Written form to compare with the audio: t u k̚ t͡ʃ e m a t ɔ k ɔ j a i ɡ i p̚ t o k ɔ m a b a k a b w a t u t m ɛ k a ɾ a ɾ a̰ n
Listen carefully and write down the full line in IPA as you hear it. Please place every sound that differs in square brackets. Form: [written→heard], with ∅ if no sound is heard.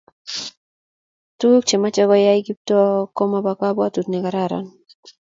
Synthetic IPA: t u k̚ t͡ʃ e m a [t→t͡ʃ] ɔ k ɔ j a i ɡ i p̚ t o k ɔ m a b a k a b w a t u t [m→n] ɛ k a ɾ a ɾ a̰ n